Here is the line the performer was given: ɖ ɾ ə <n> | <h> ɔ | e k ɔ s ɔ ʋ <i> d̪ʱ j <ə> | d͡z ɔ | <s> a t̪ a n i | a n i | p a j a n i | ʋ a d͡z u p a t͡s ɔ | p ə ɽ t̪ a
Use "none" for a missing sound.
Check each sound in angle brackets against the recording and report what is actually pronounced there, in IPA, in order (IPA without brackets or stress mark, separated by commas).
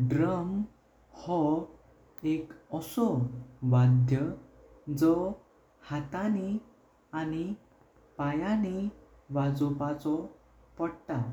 m, h, a, ə, h